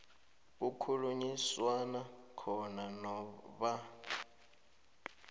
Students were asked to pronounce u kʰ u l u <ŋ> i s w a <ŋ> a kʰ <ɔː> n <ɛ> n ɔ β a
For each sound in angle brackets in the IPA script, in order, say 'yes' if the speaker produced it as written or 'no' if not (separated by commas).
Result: no, no, no, no